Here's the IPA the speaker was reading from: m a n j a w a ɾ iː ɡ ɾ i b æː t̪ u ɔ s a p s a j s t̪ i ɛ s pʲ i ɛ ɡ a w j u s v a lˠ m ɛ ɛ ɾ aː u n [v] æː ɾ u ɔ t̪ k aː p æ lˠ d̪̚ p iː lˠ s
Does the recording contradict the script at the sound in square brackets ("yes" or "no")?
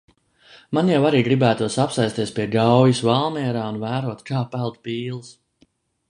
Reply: no